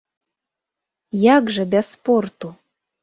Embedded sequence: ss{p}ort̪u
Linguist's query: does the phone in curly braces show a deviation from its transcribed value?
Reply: no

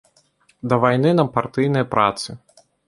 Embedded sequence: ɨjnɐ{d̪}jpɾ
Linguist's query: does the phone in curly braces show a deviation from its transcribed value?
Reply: yes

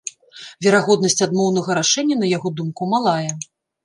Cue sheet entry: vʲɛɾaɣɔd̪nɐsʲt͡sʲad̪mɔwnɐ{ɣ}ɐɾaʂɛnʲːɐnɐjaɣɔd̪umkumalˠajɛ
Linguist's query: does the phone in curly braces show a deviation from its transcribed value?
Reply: no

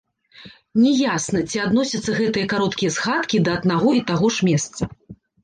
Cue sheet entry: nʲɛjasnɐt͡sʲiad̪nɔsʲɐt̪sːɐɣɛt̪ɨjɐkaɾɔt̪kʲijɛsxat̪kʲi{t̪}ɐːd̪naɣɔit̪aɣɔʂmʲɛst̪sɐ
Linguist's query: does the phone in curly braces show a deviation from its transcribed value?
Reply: yes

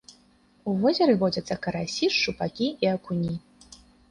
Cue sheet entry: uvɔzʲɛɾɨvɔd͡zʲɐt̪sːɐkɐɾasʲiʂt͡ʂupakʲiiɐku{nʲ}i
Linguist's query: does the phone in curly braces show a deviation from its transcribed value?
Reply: no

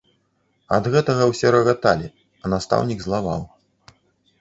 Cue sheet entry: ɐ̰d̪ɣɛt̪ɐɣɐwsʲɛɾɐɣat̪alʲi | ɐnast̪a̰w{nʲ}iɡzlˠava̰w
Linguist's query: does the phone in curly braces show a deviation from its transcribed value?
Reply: no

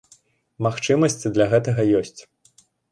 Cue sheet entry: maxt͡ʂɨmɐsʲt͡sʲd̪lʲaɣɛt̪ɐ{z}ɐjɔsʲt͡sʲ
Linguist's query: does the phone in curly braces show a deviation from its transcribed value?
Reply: yes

